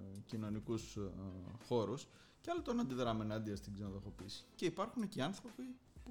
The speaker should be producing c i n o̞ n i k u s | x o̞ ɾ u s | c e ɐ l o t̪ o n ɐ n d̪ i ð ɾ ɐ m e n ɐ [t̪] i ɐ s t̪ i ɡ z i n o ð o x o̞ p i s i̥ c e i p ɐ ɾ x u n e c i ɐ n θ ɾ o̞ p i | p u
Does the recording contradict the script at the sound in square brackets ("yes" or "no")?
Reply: yes